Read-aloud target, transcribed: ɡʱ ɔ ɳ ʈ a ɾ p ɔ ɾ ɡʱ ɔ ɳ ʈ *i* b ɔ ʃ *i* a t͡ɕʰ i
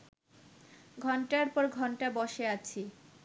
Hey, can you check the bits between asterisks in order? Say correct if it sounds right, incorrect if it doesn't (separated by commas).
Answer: incorrect, incorrect